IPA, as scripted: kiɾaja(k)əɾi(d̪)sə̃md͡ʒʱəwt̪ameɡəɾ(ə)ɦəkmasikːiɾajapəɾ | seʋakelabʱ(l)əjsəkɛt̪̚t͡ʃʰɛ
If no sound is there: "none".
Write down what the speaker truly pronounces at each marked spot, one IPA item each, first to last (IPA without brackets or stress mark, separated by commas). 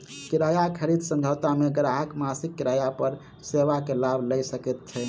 kʰ, d̪, a, l